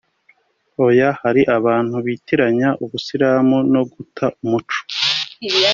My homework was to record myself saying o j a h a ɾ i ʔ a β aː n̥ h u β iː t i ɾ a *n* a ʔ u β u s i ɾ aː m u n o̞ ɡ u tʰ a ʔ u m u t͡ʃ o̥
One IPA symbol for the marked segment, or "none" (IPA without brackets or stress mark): ɲ